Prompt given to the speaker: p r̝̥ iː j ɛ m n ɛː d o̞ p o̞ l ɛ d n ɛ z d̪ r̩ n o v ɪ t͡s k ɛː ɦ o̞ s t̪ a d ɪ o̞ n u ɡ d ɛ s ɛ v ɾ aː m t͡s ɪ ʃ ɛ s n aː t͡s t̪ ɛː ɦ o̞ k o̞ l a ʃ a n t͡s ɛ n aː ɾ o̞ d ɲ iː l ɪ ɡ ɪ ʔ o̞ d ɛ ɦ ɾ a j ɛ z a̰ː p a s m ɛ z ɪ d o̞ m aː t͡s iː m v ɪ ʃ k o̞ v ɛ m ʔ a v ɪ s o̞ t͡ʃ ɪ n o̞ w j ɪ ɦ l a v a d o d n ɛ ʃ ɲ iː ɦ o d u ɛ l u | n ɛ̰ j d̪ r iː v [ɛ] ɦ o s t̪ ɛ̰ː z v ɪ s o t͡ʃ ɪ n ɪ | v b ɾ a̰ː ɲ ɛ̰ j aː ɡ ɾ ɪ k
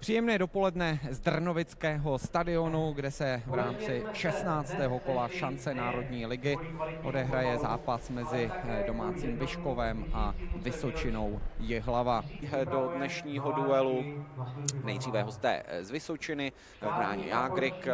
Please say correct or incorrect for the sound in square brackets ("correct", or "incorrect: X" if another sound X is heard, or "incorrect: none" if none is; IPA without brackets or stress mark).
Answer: correct